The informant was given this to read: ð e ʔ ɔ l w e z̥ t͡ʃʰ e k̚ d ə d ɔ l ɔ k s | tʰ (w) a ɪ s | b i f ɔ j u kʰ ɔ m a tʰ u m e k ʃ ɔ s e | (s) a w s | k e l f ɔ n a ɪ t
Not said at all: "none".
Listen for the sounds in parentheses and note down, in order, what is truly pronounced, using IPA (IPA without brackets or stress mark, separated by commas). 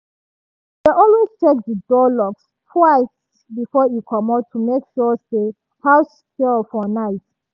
w, h